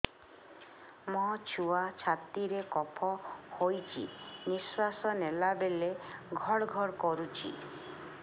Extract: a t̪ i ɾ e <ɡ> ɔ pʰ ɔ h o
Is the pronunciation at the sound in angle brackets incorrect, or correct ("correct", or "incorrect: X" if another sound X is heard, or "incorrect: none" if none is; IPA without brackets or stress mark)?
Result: incorrect: k